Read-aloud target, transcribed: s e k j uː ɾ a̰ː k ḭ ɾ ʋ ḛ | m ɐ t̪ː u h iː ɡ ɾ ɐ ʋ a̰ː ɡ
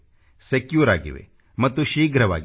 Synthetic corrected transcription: s e k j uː ɾ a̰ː ɡ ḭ ʋ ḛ | m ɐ t̪ː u ʃ iː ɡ ɾ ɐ ʋ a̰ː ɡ